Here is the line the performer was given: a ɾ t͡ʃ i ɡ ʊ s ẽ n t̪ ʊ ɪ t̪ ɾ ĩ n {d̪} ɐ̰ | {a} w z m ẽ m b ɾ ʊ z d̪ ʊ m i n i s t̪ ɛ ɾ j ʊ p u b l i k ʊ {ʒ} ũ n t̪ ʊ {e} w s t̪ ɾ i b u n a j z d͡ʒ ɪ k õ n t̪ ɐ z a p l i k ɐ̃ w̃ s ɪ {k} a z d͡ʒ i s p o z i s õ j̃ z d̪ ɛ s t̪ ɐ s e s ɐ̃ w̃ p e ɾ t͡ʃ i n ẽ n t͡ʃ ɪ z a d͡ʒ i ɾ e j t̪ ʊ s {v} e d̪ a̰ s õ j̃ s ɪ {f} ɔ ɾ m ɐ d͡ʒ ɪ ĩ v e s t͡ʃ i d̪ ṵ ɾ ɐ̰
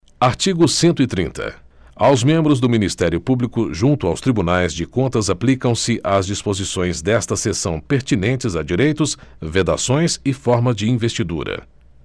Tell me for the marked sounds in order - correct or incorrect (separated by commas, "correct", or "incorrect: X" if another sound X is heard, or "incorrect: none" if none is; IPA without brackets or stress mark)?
incorrect: t̪, correct, correct, incorrect: a, incorrect: ʔ, correct, correct